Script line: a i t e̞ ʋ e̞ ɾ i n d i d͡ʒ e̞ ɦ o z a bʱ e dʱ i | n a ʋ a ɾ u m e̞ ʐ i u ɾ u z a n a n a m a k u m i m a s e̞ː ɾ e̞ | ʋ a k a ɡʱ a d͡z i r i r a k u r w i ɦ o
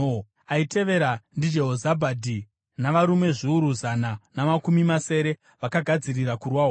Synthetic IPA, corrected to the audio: a i t e̞ ʋ e̞ ɾ a n d i d͡ʒ e̞ ɦ o z a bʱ a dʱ i | n a ʋ a ɾ u m e̞ ʐ i u ɾ u z a n a n a m a k u m i m a s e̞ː ɾ e̞ | ʋ a k a ɡʱ a d͡z i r i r a k u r w a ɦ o